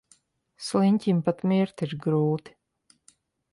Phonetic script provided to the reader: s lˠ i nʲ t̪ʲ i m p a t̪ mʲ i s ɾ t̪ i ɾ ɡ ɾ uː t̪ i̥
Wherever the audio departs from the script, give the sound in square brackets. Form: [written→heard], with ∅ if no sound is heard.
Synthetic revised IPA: s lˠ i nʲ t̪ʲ i m p a t̪ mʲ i [s→∅] ɾ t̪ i ɾ ɡ ɾ uː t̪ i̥